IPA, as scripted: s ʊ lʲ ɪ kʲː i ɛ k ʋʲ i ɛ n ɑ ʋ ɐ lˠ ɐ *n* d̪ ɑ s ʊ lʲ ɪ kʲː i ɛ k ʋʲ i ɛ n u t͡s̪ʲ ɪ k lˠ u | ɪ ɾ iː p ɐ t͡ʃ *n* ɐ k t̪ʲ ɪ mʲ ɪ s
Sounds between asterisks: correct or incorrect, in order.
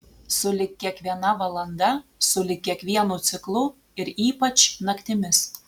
correct, correct

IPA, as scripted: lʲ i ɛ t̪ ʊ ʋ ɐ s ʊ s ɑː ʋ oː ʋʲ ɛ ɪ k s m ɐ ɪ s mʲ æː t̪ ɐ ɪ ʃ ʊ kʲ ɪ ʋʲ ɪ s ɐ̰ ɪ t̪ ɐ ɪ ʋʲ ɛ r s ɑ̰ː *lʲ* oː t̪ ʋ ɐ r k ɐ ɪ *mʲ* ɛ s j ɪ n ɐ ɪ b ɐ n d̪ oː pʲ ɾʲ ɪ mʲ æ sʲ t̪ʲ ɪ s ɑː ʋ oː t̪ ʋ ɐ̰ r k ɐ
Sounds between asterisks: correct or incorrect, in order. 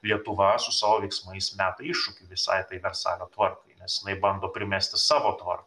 correct, incorrect: nʲ

